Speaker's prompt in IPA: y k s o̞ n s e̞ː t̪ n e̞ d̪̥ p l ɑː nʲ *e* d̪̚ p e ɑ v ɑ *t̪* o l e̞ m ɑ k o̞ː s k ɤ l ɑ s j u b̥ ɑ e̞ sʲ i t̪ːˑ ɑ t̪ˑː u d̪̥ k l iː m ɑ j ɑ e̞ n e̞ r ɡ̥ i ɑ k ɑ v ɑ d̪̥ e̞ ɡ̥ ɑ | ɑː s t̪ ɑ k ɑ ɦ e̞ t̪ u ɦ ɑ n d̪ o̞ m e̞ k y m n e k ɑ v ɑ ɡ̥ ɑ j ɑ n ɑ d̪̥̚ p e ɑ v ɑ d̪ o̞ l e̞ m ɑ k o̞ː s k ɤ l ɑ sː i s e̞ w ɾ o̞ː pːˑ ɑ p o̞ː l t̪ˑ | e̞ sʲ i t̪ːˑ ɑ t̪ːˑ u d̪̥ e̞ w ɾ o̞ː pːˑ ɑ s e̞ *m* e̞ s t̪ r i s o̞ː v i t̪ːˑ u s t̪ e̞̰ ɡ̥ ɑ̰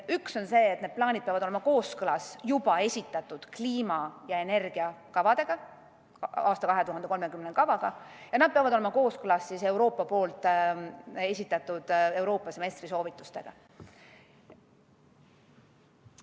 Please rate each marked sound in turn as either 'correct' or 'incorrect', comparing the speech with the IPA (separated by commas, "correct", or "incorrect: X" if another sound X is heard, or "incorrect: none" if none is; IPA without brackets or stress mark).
incorrect: i, incorrect: d̪, correct